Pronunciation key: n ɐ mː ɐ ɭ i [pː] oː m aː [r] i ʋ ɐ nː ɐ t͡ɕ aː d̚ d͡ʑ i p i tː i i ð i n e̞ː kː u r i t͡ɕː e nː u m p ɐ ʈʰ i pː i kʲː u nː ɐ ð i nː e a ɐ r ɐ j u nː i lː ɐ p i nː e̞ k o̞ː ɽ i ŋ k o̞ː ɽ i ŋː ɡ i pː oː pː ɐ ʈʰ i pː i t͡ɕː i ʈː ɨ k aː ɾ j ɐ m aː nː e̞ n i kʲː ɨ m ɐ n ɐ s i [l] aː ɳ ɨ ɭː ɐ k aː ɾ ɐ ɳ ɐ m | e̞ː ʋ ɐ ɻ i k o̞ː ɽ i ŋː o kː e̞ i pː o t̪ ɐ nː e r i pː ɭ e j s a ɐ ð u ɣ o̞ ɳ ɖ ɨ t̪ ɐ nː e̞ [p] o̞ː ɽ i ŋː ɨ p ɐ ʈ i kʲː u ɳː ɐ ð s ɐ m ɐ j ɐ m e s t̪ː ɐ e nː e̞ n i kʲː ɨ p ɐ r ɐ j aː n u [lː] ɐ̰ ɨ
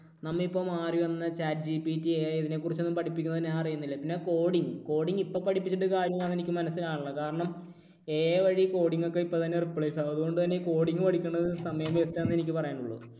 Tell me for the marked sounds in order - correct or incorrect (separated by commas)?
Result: correct, correct, correct, incorrect, incorrect